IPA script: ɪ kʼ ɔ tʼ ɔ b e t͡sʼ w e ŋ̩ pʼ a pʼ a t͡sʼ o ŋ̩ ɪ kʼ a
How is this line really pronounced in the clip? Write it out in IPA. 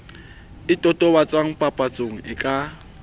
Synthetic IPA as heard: ɪ tʼ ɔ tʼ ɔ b a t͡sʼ w a ŋ̩ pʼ a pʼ a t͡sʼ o ŋ̩ ɪ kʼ a